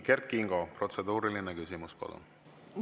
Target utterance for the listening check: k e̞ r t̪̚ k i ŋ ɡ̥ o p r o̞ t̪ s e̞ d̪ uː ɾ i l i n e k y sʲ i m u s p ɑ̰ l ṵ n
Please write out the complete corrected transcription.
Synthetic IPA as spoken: k e̞ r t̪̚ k i ŋ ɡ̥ o p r o̞ t̪ s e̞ d̪ uː ɾ i l i n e k y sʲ i m u s p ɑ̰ l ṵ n

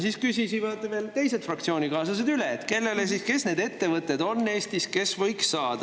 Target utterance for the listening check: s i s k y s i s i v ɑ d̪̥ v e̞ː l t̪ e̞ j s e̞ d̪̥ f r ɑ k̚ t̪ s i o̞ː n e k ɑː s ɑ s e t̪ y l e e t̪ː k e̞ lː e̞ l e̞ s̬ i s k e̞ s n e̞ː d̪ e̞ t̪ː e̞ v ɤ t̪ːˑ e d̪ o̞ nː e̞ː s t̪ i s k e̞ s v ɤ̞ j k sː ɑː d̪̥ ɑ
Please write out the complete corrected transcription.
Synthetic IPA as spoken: s i s k y s i s i v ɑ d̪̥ v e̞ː l t̪ e̞ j s e̞ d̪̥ f r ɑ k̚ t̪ s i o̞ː n i k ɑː s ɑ s e d̪ y l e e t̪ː k e̞ lː e̞ l e̞ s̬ i s k e̞ s n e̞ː d̪ e̞ t̪ː e̞ v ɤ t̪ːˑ e d̪ o̞ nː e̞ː s t̪ i s k e̞ s v ɤ̞ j k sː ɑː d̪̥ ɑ

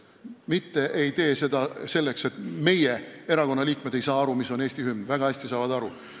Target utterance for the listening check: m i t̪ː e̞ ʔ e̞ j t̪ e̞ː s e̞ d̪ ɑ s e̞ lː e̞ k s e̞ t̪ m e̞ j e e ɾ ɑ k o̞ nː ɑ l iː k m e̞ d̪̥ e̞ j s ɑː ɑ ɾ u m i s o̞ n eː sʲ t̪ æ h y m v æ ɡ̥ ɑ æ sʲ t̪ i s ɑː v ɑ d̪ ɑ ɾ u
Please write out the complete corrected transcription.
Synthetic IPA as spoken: m i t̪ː e̞ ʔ e̞ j t̪ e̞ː s e̞ d̪ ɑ s e̞ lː e̞ k s e̞ t̪ m e̞ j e e ɾ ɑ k o̞ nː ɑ l iː k m e̞ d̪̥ e̞ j s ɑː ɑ ɾ u m i s o̞ n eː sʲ t̪ i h y m v æ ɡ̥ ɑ æ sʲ t̪ i s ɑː v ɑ d̪ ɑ ɾ u

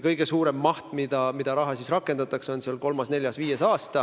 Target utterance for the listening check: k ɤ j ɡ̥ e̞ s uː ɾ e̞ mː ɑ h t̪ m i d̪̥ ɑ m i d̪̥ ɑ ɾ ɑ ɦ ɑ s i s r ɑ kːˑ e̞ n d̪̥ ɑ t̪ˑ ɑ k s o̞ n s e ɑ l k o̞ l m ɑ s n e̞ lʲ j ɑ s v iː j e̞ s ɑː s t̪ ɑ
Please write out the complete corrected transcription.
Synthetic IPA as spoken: k ɤ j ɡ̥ e̞ s uː ɾ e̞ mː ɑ h t̪ m i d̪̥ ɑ m i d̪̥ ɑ ɾ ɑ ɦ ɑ s i s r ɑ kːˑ e̞ n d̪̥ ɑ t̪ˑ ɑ k s o̞ n s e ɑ l k o̞ l m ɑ s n e̞ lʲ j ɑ s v iː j e̞ s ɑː s t̪ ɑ

